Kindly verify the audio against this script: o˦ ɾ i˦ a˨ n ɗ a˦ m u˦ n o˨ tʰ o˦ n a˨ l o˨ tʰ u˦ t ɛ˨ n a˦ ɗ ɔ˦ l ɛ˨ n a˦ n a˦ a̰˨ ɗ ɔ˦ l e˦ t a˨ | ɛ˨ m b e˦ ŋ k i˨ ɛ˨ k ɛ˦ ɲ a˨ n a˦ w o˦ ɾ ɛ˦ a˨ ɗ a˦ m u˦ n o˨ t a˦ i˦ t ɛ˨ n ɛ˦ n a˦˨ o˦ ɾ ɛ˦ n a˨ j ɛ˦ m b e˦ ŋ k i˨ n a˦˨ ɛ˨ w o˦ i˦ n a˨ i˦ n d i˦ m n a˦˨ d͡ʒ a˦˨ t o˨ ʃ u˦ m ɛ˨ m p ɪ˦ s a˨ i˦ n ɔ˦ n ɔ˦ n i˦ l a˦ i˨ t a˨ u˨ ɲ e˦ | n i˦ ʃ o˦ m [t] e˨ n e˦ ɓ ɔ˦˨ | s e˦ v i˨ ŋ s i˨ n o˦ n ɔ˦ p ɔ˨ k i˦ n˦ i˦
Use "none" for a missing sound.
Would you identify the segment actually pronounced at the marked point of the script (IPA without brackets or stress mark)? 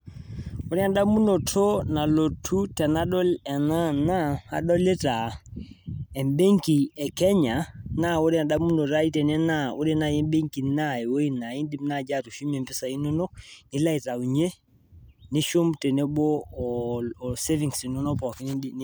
t